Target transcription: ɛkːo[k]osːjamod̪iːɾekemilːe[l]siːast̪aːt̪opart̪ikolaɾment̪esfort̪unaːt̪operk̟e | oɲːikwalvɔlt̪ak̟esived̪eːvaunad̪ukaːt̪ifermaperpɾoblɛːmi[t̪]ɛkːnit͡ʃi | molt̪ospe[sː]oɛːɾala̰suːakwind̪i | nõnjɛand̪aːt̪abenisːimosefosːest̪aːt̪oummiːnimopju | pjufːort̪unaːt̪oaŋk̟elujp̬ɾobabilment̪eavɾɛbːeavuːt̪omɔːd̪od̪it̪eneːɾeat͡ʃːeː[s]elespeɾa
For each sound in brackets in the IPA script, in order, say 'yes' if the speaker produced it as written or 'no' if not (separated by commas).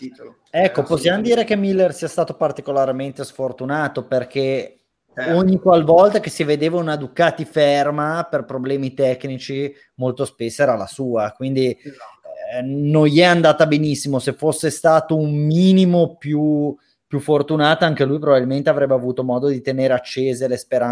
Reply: no, no, yes, yes, no